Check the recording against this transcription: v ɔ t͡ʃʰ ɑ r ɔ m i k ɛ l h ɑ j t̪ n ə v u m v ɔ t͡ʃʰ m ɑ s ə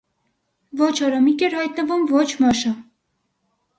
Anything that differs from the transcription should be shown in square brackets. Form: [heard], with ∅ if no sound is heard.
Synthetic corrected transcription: v ɔ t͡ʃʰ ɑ [ɾ] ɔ m i k ɛ [ɾ] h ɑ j t̪ n ə v u m v ɔ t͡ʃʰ m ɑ [ʃ] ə